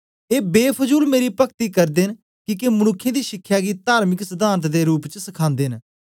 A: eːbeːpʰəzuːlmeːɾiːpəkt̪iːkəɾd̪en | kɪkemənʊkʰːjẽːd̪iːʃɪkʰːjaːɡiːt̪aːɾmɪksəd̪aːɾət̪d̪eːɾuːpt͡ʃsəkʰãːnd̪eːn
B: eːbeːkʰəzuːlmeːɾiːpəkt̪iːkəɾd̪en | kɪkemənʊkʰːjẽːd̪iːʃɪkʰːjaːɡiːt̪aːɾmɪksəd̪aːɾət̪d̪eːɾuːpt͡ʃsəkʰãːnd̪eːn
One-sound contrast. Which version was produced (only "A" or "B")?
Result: A